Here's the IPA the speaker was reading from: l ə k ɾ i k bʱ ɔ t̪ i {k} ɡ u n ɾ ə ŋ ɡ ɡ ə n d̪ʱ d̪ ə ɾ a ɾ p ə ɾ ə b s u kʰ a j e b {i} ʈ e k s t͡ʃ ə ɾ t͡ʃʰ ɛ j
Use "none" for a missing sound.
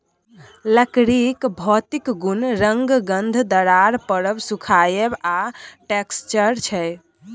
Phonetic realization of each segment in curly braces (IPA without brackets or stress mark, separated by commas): k, a